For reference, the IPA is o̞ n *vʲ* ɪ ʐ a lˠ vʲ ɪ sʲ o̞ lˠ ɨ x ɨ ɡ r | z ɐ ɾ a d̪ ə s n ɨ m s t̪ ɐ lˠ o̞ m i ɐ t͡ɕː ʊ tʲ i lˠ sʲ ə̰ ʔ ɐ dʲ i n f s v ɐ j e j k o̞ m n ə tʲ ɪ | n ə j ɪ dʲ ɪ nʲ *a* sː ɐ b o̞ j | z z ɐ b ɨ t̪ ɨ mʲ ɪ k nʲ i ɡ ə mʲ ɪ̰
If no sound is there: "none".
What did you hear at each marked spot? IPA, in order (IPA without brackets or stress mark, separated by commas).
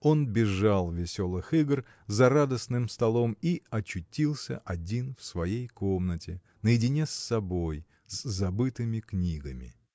bʲ, e